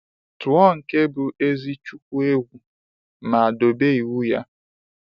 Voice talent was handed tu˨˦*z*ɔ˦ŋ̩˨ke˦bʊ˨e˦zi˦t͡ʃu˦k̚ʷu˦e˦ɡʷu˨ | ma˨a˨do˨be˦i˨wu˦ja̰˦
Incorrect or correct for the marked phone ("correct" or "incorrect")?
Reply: incorrect